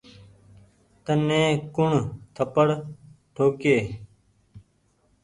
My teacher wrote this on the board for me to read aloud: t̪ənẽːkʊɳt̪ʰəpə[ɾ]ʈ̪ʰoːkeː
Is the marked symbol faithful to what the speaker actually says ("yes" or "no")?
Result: no